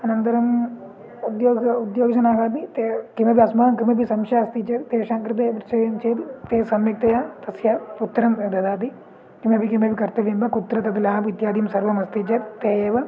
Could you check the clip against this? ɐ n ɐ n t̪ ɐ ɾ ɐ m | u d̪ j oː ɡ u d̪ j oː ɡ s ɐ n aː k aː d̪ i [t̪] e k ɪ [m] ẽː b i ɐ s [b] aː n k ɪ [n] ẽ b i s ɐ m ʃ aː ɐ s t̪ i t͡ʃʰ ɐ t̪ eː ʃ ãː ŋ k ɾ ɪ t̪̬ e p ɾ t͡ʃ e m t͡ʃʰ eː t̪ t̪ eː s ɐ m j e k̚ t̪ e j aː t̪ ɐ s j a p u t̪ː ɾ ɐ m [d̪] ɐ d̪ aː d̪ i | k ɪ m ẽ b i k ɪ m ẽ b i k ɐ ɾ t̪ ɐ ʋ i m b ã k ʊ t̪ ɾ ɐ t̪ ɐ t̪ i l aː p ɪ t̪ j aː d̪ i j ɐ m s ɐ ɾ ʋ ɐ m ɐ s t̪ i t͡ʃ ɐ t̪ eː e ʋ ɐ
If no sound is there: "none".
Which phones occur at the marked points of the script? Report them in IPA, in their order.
t̪, m, m, m, d̪

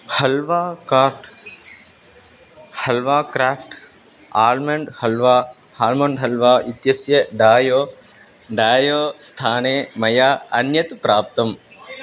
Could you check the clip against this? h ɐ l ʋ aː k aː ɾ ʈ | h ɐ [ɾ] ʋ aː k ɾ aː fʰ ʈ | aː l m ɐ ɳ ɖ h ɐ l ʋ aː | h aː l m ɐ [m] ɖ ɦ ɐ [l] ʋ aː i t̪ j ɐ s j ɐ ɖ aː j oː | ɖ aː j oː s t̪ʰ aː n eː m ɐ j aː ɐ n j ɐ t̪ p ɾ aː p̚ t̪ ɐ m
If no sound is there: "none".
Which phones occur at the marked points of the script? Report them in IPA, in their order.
l, ɳ, l

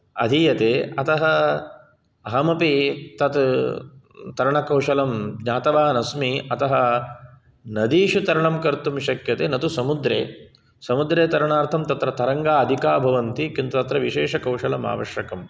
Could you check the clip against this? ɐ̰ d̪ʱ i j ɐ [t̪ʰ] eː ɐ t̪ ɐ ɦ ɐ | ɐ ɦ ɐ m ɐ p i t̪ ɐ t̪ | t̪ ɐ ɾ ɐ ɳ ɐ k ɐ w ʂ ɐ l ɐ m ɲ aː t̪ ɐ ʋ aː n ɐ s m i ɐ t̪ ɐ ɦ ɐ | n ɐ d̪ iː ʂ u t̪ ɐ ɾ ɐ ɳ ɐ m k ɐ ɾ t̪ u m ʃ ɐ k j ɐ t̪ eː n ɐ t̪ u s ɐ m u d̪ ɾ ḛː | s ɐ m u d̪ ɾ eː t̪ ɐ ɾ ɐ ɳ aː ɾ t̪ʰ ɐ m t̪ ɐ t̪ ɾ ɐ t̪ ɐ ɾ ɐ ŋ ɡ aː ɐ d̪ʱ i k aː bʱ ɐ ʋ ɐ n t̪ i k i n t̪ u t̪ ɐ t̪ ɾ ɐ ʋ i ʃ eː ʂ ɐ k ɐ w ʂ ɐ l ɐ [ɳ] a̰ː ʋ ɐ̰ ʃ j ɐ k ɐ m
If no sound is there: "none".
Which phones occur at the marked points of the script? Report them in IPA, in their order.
t̪, m

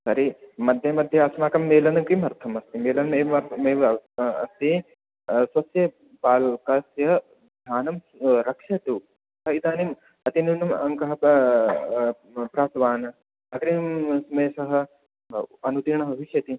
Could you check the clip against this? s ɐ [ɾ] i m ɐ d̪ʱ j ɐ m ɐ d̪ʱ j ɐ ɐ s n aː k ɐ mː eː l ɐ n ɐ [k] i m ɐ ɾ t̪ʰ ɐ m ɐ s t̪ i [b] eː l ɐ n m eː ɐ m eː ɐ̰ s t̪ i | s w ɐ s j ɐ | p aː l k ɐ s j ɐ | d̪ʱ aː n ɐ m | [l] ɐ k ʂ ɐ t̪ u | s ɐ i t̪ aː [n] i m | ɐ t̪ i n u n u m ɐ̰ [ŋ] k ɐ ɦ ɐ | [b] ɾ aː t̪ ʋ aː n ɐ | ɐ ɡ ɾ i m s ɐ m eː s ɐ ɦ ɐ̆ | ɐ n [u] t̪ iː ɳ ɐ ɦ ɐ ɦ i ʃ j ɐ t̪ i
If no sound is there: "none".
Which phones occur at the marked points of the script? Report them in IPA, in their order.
ɾ, k, m, ɾ, n, ŋ, p, u

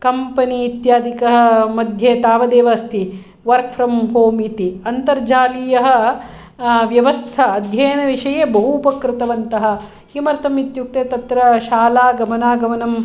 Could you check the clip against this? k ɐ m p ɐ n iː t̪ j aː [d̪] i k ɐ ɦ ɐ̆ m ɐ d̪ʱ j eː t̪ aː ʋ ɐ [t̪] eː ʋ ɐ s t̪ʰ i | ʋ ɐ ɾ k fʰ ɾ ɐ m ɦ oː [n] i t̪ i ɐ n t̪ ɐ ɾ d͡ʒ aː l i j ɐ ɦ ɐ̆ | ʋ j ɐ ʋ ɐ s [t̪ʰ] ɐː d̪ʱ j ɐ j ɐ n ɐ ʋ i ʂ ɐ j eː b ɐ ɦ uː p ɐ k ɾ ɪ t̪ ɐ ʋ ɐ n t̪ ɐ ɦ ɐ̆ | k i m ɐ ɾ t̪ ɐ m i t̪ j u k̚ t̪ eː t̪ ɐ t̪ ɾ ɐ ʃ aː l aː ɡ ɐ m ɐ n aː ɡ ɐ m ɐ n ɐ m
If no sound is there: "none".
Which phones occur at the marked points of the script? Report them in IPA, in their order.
d̪, d̪, m, t̪ʰ

